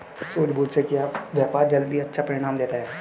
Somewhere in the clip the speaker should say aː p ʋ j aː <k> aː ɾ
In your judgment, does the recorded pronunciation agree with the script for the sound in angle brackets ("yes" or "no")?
no